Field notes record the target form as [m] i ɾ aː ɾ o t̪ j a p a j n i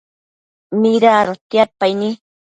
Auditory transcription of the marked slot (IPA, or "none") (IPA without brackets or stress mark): m